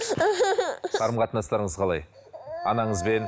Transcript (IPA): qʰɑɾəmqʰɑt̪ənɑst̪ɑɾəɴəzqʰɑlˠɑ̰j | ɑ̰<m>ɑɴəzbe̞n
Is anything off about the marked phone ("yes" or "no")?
yes